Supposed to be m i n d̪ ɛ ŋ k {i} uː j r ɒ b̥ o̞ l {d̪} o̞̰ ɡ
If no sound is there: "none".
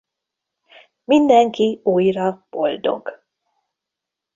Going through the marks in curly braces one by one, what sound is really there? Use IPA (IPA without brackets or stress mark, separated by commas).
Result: i, d̪